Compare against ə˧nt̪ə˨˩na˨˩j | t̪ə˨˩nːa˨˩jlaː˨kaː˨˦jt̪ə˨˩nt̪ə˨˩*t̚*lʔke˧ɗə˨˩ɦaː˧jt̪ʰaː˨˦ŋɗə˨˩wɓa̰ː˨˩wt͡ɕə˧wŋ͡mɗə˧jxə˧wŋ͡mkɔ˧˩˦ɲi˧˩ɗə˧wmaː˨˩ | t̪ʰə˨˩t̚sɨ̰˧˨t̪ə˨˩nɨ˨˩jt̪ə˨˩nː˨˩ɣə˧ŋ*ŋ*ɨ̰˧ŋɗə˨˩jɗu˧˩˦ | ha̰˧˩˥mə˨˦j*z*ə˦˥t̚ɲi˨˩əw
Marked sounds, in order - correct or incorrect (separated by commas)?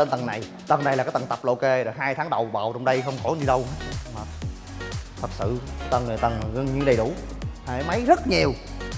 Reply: incorrect, incorrect, correct